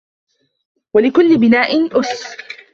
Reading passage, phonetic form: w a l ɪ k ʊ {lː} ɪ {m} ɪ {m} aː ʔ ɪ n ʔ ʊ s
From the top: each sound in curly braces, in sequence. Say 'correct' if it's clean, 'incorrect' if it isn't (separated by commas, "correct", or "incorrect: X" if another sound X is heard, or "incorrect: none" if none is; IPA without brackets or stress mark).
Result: correct, incorrect: b, incorrect: n